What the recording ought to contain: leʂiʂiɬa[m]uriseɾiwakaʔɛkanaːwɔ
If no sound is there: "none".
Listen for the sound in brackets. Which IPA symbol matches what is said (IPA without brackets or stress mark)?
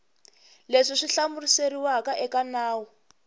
m